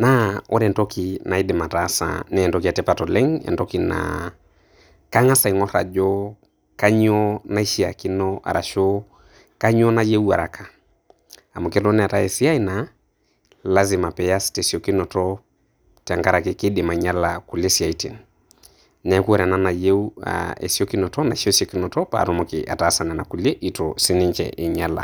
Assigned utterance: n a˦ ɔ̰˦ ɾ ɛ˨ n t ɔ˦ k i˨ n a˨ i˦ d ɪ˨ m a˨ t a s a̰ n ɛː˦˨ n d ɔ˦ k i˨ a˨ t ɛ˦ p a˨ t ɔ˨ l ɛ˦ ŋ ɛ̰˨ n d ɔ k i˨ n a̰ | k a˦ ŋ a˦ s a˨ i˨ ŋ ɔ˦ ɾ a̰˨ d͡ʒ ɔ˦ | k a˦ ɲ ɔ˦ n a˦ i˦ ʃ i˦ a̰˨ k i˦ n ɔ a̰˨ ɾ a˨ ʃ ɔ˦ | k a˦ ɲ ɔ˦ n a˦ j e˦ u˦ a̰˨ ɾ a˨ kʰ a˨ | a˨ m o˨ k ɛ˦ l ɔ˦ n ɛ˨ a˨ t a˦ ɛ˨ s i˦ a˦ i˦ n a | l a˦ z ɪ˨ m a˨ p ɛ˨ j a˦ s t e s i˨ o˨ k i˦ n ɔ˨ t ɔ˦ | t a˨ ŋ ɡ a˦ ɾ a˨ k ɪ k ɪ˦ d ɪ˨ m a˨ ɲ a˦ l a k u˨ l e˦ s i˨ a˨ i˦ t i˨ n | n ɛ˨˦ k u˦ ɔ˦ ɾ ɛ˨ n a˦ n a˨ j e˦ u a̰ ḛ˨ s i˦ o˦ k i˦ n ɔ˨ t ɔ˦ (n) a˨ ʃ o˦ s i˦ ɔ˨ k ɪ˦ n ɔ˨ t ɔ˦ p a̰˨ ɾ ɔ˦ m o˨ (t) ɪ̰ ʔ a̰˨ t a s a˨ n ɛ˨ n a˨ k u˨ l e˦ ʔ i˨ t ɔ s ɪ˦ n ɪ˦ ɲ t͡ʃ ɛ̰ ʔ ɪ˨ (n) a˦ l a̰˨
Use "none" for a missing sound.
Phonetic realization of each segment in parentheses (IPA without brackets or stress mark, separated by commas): n, k, ɲ